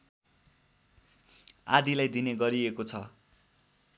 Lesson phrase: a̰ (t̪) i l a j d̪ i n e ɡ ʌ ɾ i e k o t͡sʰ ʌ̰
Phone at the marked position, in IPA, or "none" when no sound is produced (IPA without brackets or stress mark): d̪